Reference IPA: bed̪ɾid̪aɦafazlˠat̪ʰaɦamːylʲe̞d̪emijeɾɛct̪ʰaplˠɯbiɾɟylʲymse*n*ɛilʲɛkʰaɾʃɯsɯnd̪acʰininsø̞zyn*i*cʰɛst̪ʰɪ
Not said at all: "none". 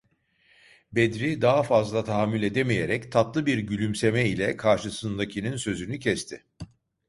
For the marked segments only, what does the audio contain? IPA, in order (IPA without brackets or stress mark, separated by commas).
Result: m, y